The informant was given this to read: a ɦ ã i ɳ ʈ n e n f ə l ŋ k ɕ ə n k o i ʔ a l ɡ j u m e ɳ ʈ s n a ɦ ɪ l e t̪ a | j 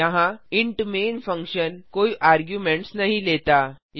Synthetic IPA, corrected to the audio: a ɦ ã i ɳ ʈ m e n f ə ŋ k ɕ ə n k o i ʔ a ɾ ɡ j u m e ɳ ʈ s n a ɦ i l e t̪ a | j